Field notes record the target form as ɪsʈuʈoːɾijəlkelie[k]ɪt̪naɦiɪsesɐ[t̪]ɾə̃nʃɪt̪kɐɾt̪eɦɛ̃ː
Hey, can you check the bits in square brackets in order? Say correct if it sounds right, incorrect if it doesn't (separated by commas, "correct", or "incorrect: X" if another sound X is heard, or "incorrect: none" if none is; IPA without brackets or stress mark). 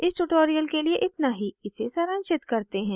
incorrect: ʔ, incorrect: none